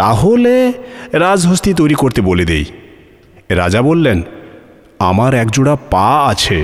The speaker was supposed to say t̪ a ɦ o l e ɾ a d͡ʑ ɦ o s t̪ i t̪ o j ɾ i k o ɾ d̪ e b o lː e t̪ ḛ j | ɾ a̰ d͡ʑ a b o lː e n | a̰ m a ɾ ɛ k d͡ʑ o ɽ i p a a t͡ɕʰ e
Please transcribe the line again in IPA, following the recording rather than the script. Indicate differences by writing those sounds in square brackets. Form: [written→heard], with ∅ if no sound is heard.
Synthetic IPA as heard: t̪ a ɦ o l e ɾ a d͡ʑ ɦ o s t̪ i t̪ o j ɾ i k o ɾ [d̪→t̪] e b o [lː→l] e [t̪→d̪] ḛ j | ɾ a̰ d͡ʑ a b o lː e n | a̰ m a ɾ ɛ k d͡ʑ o ɽ [i→a] p a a t͡ɕʰ e